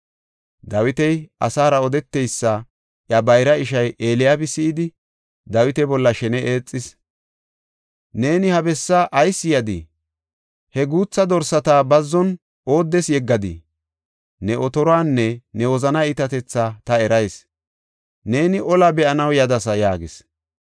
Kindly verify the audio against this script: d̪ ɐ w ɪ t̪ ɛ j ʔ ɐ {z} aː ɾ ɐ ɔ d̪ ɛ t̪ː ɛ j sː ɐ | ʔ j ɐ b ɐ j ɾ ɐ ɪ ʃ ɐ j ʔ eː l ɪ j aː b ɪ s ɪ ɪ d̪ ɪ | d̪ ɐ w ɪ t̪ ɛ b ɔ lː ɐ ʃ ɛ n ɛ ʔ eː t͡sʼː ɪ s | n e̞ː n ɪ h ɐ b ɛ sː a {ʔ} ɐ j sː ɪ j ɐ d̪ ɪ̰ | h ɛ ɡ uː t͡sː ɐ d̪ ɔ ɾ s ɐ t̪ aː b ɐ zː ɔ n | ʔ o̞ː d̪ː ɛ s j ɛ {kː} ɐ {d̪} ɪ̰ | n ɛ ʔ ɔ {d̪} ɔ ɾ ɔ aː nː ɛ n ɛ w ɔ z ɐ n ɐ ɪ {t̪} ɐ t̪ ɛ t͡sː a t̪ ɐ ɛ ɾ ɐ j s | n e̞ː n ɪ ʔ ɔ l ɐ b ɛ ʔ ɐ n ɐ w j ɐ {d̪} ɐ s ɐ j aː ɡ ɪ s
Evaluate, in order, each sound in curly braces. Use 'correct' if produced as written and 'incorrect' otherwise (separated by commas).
incorrect, correct, incorrect, correct, incorrect, correct, correct